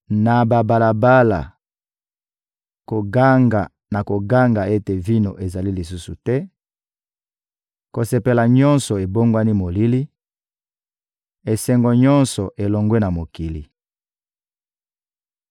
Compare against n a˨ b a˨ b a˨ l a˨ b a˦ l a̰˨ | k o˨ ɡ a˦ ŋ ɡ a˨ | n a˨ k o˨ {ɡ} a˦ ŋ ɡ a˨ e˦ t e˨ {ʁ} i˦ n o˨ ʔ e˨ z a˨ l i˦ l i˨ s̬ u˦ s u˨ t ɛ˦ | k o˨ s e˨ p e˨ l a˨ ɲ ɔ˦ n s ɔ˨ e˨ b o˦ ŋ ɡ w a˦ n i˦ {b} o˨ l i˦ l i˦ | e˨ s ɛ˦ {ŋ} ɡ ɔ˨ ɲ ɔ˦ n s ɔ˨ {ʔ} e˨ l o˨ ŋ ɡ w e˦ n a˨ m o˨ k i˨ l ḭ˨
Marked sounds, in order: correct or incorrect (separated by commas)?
correct, incorrect, incorrect, correct, correct